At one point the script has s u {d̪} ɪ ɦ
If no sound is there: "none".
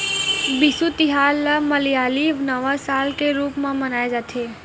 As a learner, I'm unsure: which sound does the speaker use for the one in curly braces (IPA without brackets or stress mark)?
t̪